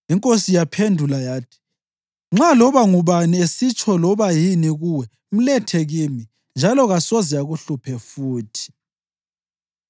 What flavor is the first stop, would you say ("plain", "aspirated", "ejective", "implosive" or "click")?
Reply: ejective